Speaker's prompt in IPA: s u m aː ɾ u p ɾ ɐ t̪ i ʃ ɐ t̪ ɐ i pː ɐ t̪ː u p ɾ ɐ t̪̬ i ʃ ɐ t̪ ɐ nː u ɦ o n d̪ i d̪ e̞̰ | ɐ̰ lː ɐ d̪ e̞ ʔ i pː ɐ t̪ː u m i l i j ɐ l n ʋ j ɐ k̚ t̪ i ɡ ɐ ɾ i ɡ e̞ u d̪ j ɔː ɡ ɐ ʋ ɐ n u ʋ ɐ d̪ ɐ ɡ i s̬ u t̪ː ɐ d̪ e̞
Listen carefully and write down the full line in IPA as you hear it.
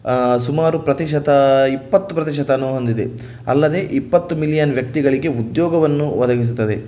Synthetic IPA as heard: s u m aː ɾ u p ɾ ɐ t̪ i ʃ ɐ t̪ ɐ i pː ɐ t̪ː u p ɾ ɐ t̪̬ i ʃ ɐ t̪ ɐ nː u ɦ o n d̪ i d̪ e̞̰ | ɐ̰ lː ɐ d̪ e̞ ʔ i pː ɐ t̪ː u m i l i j ɐ n ʋ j ɐ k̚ t̪ i ɡ ɐ ɭ i ɡ e̞ u d̪ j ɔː ɡ ɐ ʋ ɐ nː u ʋ ɐ d̪ ɐ ɡ i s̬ u t̪ː ɐ d̪ e̞